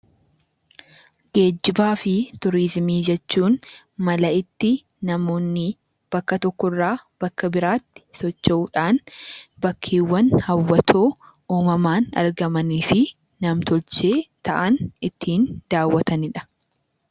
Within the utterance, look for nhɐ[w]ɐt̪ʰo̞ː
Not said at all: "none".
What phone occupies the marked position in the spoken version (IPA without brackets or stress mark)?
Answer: wː